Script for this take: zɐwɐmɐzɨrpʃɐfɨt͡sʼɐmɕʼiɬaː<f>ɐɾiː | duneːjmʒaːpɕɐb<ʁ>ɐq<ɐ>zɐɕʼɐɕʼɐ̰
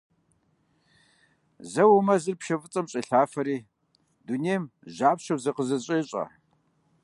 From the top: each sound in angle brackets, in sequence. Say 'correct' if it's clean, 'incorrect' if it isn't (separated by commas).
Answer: correct, incorrect, incorrect